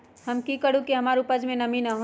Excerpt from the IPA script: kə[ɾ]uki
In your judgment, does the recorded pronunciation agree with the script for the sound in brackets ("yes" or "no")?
no